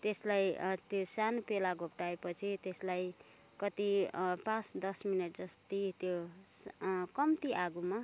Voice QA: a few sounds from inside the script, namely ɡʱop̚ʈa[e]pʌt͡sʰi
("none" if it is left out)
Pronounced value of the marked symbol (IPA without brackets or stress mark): e